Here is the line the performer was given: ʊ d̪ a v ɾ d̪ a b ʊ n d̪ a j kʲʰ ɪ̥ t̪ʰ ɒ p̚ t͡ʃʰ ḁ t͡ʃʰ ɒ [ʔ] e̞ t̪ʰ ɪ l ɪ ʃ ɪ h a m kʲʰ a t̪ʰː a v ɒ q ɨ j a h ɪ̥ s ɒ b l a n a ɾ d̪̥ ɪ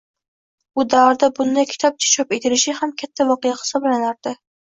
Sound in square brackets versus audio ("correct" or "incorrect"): incorrect